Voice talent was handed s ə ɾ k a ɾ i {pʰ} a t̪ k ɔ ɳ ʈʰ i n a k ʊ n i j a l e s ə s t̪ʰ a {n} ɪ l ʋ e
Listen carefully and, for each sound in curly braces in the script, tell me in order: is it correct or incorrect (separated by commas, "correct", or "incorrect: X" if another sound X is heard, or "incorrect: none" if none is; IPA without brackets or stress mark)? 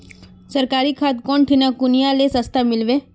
incorrect: kʰ, incorrect: m